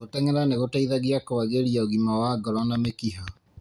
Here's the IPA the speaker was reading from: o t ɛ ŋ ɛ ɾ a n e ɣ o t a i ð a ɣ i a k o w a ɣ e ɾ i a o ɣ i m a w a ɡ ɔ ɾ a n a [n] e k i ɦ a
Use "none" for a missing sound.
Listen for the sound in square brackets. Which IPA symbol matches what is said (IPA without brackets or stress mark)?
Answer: m